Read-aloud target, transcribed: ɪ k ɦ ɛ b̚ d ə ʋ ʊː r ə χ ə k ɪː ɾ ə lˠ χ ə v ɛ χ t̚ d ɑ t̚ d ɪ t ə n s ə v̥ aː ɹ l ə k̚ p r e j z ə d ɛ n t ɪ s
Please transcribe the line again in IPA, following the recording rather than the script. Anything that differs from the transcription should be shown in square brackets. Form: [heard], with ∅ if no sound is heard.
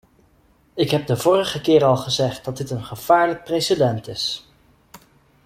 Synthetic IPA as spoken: ɪ k ɦ ɛ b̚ d ə [v] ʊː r ə χ ə k ɪː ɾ [ɑ] lˠ χ ə [z] ɛ χ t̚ d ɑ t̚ d ɪ t ə n [χ] ə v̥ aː ɹ l ə k̚ p r e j [s] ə d ɛ n t ɪ s